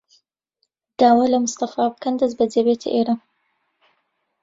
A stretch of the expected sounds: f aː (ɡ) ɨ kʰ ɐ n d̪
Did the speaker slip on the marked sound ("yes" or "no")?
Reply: yes